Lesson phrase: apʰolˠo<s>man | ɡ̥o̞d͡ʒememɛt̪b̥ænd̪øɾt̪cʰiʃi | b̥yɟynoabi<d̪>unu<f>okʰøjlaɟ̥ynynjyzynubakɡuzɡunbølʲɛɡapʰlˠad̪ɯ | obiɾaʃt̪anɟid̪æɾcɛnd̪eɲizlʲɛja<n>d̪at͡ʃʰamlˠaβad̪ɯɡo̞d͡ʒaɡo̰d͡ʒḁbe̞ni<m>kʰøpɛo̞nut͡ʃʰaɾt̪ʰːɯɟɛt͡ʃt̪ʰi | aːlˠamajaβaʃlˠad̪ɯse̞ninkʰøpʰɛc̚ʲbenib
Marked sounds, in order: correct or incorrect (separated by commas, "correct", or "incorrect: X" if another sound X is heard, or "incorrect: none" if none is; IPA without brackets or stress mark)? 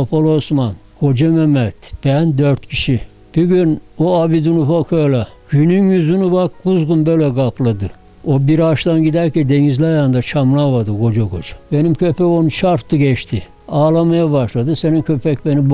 correct, correct, correct, correct, correct